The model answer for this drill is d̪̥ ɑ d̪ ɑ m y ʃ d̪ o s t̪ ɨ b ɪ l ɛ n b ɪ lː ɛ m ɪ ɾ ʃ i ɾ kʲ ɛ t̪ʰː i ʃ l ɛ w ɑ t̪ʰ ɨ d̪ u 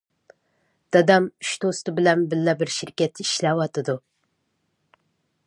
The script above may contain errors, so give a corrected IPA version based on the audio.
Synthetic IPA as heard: d̪̥ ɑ d̪ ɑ m y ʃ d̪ o s t̪ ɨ b ɪ l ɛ n b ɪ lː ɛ b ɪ ɾ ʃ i ɾ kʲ ɛ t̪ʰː i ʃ l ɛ w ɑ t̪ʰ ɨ d̪ u